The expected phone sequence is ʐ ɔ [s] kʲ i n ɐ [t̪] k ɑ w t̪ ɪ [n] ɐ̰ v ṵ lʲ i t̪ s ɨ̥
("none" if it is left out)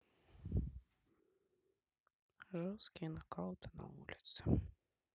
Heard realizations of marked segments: s, none, n

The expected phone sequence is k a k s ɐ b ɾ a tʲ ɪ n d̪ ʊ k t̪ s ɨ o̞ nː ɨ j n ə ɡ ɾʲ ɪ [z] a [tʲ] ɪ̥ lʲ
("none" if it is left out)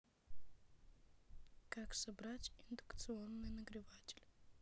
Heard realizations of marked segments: v, tʲ

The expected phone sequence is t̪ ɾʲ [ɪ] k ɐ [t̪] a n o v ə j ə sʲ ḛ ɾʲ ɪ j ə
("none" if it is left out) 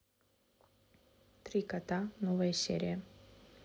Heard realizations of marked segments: i, t̪

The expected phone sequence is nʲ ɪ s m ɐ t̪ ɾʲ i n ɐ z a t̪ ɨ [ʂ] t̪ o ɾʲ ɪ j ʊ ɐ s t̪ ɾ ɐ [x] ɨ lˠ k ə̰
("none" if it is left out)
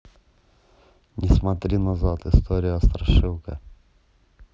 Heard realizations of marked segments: s, ʂ

